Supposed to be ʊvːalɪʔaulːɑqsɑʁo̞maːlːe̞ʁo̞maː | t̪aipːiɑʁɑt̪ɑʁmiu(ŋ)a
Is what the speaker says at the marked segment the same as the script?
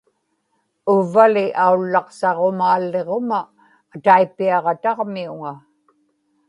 yes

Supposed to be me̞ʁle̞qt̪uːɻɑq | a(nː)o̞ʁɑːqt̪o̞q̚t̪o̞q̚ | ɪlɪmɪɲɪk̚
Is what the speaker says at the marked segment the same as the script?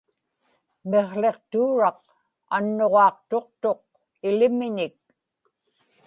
yes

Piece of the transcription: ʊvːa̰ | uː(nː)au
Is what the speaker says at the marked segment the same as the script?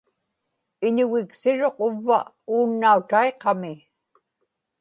yes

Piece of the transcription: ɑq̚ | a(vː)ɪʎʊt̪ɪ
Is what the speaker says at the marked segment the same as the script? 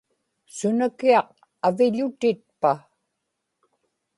no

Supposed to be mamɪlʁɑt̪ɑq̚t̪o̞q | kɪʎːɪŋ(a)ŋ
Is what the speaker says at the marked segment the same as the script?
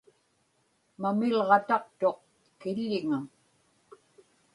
yes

